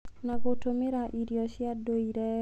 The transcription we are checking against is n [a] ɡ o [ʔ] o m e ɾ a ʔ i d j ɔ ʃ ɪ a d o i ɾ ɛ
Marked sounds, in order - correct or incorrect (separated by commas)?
correct, incorrect